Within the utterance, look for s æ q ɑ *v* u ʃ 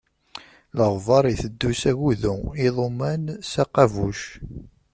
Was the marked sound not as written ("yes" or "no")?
no